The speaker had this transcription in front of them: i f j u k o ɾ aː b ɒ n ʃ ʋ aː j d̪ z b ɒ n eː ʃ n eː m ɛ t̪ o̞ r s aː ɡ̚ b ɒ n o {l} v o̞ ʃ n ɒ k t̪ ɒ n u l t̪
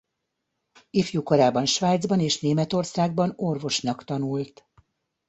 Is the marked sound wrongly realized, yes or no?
yes